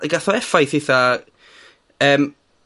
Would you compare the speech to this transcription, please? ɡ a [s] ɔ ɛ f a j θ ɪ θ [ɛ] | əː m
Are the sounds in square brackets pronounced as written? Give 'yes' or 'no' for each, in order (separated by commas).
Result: no, no